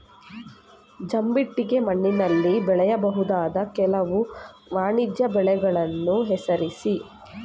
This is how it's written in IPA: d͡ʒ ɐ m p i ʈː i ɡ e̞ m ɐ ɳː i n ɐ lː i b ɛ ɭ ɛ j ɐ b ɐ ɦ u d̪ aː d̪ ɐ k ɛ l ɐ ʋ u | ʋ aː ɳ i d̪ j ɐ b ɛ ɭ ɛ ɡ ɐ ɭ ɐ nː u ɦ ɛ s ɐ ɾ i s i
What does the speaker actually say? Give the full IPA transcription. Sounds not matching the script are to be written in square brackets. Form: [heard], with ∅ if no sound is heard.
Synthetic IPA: d͡ʒ ɐ m [b] i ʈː i ɡ e̞ m ɐ ɳː i n ɐ lː i b ɛ ɭ ɛ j ɐ b ɐ ɦ u d̪ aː d̪ ɐ k ɛ l ɐ ʋ u | ʋ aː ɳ i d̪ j ɐ b ɛ ɭ ɛ ɡ ɐ ɭ ɐ nː u ɦ ɛ s ɐ ɾ i s i